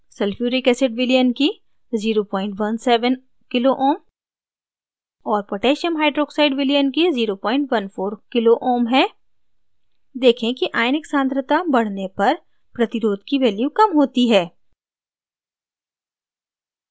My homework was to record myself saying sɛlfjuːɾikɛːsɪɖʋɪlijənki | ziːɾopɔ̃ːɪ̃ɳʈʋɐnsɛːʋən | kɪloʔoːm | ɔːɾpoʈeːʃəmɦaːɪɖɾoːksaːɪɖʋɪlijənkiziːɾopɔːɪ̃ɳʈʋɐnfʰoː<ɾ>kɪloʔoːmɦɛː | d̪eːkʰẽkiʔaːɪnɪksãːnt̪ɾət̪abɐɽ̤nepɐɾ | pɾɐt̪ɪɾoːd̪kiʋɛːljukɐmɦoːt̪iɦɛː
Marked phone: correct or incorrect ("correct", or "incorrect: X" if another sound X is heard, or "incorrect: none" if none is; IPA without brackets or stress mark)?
correct